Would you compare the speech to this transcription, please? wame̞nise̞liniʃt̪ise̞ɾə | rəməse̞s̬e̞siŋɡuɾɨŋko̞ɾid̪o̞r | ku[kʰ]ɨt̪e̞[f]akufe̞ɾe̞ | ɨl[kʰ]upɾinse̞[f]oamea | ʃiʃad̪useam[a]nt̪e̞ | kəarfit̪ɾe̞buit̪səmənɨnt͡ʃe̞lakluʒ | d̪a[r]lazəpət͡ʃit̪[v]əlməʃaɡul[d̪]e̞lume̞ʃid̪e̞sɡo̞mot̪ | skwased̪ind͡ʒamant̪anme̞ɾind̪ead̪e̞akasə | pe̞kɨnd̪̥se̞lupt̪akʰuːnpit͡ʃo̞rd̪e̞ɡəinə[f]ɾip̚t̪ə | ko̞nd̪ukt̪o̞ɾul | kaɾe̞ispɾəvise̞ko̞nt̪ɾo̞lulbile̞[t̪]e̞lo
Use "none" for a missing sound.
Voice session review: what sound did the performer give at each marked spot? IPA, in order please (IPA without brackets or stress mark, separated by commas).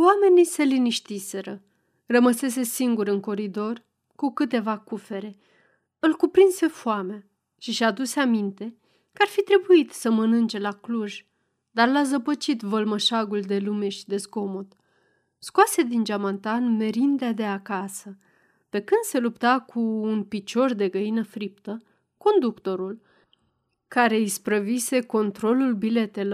k, v, k, f, i, r, v, d̪, f, t̪